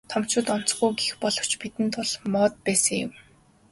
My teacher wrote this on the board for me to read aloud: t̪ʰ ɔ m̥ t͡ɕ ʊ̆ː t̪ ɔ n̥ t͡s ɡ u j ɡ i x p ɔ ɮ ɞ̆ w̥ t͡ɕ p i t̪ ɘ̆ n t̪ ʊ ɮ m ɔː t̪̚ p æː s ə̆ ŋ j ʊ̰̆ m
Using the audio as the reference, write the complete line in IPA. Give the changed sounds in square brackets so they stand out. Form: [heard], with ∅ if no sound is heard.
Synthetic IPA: t̪ʰ ɔ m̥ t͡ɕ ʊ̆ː t̪ ɔ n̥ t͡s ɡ u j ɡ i x p ɔ ɮ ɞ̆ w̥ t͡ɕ p i t̪ ɘ̆ n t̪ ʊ ɮ m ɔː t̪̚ p æː s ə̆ ŋ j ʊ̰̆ m